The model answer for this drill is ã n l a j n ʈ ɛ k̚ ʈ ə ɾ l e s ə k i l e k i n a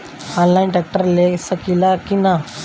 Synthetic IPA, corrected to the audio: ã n l a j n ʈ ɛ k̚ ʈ ə ɾ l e s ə k i l a k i n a